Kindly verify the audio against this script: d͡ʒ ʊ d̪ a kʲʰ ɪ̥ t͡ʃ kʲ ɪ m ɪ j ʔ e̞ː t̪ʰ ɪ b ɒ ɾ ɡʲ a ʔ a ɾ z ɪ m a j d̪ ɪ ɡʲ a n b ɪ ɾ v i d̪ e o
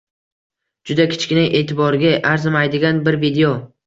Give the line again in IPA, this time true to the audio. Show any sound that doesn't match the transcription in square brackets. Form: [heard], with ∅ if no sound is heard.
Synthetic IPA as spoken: d͡ʒ ʊ d̪ a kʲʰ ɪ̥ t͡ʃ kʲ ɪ [n] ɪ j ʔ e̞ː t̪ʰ ɪ b ɒ ɾ ɡʲ a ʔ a ɾ z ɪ m a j d̪ ɪ ɡʲ a n b ɪ ɾ v i d̪ e o